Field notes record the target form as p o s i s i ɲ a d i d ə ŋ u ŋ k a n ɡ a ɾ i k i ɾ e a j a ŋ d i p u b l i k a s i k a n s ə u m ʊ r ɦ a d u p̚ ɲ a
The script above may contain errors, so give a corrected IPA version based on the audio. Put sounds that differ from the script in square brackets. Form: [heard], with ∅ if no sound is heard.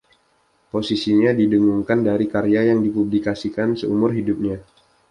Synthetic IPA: p o s i s i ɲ a d i d ə ŋ u ŋ k a n [d] a ɾ i k [a] ɾ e a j a ŋ d i p u b l i k a s i k a n s ə u m ʊ r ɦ [i] d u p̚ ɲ a